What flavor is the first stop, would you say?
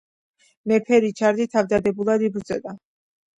aspirated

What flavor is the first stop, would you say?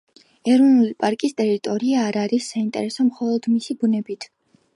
ejective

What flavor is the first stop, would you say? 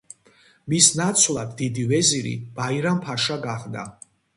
plain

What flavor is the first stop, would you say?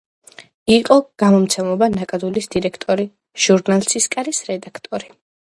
ejective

